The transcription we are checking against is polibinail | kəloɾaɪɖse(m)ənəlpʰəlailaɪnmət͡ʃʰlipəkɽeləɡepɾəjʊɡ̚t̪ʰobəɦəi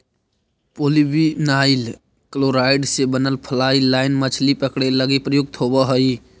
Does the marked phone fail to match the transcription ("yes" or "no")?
yes